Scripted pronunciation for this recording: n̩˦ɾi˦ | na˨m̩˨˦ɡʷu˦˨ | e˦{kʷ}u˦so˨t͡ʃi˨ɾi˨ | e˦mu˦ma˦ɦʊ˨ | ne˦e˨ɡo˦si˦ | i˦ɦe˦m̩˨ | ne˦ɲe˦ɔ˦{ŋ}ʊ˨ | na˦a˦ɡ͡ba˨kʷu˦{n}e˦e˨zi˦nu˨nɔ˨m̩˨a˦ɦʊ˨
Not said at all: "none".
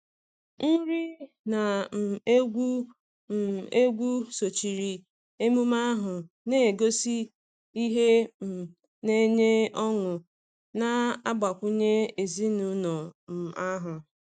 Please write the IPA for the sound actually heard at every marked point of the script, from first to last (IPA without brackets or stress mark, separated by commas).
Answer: ɡʷ, ŋ, ɲ